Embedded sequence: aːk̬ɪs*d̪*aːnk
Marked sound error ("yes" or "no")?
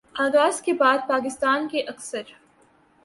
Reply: yes